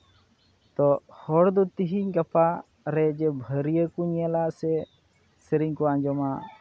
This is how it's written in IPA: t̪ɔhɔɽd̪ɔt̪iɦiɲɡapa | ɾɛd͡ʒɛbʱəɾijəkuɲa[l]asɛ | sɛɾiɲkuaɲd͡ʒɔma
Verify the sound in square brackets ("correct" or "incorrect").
correct